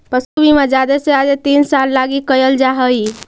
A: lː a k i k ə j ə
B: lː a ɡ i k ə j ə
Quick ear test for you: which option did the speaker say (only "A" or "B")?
B